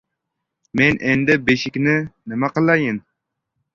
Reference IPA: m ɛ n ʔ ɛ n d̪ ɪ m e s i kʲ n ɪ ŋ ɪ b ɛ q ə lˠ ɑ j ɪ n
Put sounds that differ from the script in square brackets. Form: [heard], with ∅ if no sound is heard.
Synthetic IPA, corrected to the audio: m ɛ n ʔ ɛ n d̪ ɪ [b] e [ʃ] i kʲ n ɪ [n] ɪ [m] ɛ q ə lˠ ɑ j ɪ n